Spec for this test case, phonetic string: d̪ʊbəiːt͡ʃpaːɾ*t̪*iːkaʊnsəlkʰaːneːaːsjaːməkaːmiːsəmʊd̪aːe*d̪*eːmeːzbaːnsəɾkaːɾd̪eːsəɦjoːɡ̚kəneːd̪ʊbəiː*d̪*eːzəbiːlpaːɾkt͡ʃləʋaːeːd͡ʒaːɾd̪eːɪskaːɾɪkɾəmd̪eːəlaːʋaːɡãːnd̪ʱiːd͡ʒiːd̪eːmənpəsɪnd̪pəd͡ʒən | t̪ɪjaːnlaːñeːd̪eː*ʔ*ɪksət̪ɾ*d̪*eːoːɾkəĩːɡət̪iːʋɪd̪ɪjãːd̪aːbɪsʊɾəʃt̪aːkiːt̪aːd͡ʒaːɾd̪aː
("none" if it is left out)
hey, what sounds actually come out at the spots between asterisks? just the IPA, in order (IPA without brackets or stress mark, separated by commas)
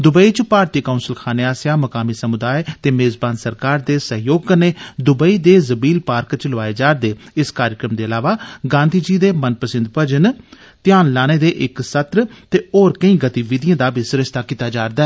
t̪, t̪, d̪, ʔ, t̪